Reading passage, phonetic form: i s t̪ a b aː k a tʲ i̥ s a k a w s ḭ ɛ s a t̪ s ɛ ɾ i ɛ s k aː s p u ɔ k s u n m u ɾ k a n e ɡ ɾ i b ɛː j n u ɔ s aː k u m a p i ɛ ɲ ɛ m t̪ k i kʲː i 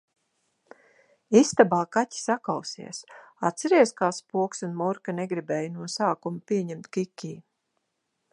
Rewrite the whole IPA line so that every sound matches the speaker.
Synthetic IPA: i s t̪ a b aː k a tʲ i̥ s a k a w s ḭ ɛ s a t̪ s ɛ ɾ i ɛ s k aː s p u ɔ k s u n m u ɾ k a n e ɡ ɾ i b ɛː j n u ɔ s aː k u m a p i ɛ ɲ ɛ m t̪ k i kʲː iː